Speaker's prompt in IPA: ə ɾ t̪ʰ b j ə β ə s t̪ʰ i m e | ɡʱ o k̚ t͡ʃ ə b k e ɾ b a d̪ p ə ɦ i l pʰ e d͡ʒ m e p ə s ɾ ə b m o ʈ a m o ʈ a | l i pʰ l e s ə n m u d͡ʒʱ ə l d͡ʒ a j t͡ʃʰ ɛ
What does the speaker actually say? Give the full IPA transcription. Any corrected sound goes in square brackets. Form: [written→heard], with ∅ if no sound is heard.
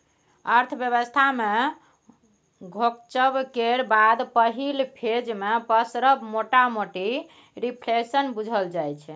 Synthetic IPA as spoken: ə ɾ t̪ʰ b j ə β ə s t̪ʰ [i→a] m e | ɡʱ o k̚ t͡ʃ ə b k e ɾ b a d̪ p ə ɦ i l pʰ e d͡ʒ m e p ə s ɾ ə b m o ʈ a m o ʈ [a→i] | [l→ɾ] i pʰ l e s ə n [m→b] u d͡ʒʱ ə l d͡ʒ a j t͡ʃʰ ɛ